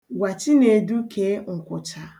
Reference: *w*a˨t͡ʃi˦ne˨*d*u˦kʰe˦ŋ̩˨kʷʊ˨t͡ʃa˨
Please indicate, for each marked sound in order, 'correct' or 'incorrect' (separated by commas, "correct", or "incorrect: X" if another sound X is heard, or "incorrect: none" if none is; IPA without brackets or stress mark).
correct, correct